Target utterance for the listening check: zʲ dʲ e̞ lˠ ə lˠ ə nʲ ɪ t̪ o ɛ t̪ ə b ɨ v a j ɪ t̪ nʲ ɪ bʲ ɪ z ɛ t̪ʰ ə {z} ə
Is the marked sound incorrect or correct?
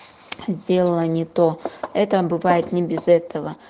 incorrect